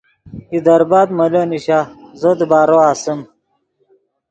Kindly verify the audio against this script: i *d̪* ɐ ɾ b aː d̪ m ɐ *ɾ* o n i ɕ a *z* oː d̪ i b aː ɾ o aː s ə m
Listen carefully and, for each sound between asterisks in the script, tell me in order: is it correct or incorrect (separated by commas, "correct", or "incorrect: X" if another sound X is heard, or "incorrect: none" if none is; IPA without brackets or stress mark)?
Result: correct, incorrect: l, correct